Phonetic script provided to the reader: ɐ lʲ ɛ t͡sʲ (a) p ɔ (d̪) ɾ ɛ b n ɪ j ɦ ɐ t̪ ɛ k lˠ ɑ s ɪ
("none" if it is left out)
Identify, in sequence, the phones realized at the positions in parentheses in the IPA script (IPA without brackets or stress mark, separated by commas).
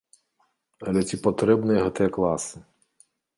i, t̪